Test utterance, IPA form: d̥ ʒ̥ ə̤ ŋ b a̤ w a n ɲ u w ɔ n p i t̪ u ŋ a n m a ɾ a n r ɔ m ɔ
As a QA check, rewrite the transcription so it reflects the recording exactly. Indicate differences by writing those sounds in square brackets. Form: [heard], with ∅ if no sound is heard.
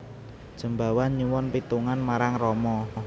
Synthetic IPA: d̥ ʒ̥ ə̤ [m] b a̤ w a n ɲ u w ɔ n p i t̪ u ŋ a n m a ɾ a [ŋ] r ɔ m ɔ